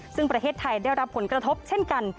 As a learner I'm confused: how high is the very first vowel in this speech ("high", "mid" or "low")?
high